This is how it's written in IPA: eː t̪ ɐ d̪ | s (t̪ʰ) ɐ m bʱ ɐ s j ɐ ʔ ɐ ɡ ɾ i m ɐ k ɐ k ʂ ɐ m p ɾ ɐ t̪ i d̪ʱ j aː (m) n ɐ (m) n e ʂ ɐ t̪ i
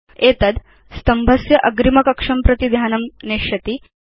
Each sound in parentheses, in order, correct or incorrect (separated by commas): incorrect, incorrect, correct